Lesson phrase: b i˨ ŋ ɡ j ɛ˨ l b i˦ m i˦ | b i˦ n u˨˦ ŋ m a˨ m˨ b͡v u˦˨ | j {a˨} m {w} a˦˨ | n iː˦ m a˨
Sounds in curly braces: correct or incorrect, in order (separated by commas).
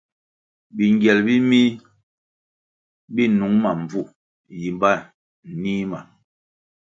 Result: incorrect, incorrect